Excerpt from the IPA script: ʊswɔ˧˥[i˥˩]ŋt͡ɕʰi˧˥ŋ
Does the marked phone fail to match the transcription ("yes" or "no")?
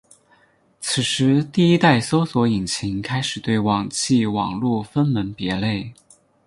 yes